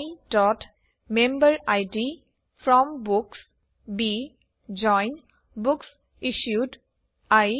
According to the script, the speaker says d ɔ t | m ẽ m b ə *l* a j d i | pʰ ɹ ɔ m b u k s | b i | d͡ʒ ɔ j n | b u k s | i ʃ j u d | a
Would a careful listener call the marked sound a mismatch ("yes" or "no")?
yes